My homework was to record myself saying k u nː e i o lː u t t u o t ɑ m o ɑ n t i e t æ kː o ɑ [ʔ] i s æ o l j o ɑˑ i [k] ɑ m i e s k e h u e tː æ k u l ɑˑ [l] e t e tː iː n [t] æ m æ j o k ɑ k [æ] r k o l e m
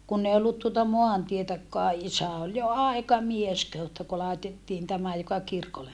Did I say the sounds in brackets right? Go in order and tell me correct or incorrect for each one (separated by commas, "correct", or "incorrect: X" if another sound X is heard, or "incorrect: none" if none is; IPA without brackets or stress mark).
correct, correct, incorrect: none, correct, incorrect: i